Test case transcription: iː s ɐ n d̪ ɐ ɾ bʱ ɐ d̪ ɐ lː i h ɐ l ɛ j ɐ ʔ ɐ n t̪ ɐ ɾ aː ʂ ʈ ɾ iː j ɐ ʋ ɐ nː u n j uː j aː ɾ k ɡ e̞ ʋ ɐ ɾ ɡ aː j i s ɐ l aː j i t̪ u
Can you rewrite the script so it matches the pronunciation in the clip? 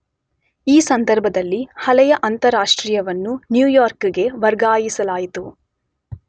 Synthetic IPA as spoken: iː s ɐ n d̪ ɐ ɾ bʱ ɐ d̪ ɐ lː i h ɐ l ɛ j ɐ ʔ ɐ n t̪ ɐ ɾ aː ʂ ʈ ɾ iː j ɐ ʋ ɐ nː u n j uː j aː ɾ k ɡ e̞ ʋ ɐ ɾ ɡ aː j i s ɐ l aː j i t̪ u